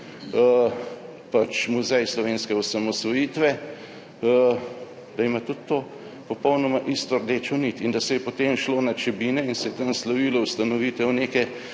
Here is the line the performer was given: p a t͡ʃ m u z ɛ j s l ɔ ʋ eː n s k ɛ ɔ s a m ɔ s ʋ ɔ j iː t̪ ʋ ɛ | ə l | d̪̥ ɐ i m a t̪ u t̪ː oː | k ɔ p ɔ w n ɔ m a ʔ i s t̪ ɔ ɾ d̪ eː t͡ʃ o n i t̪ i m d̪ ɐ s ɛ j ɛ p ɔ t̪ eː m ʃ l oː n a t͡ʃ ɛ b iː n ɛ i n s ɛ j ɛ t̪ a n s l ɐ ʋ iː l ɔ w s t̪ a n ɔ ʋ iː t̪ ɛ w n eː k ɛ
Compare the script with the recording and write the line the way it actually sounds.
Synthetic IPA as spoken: p a t͡ʃ m u z ɛ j s l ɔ ʋ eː n s k ɛ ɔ s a m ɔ s ʋ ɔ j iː t̪ ʋ ɛ | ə | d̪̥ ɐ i m a t̪ u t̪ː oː | p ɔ p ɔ w n ɔ m a ʔ i s t̪ ɔ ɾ d̪ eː t͡ʃ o n i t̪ i n d̪ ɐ s ɛ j ɛ p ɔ t̪ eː m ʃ l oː n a t͡ʃ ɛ b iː n ɛ i n s ɛ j ɛ t̪ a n s l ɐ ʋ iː l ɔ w s t̪ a n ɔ ʋ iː t̪ ɛ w n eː k ɛ